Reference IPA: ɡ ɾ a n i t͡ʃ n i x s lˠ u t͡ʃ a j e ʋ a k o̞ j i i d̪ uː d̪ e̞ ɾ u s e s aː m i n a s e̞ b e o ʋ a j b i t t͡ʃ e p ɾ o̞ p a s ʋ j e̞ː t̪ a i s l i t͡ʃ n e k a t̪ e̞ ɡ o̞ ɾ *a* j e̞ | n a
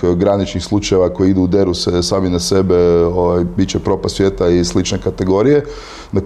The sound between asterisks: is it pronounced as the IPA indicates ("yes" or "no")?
no